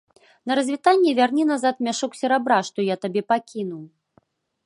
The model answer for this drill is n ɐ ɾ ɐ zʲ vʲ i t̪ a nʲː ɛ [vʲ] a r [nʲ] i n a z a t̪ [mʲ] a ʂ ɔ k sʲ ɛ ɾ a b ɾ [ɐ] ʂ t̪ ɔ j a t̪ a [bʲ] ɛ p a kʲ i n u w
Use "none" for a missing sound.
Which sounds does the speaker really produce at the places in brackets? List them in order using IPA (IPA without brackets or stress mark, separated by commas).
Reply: vʲ, nʲ, mʲ, a, bʲ